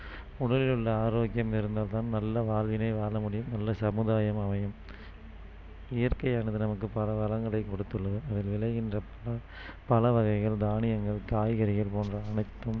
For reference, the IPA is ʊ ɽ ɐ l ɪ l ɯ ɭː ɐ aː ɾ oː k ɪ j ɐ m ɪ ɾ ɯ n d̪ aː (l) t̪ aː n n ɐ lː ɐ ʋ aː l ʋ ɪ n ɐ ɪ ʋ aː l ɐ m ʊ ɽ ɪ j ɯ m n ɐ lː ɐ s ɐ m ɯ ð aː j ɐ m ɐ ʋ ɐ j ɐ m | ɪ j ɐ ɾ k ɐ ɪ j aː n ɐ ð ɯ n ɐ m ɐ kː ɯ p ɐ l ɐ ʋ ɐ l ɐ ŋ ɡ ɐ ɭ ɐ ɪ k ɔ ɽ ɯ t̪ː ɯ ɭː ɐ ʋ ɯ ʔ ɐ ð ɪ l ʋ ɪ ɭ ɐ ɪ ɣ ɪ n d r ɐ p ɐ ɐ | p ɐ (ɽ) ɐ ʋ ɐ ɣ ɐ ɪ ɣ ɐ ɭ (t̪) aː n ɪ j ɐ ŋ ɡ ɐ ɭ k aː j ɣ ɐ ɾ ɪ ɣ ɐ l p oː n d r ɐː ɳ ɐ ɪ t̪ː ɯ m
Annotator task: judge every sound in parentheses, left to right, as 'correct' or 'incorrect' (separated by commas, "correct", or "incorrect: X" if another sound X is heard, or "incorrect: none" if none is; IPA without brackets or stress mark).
correct, incorrect: l, incorrect: d̪